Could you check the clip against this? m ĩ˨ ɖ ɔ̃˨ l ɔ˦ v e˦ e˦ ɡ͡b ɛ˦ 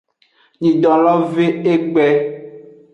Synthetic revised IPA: ɲ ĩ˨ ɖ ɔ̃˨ l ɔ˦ v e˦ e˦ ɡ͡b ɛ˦